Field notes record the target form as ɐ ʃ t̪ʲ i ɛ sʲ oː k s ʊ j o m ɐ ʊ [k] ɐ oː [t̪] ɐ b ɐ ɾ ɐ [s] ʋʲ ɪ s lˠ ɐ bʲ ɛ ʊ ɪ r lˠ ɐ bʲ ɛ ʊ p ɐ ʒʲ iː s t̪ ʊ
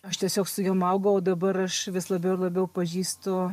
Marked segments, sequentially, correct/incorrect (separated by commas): incorrect, incorrect, incorrect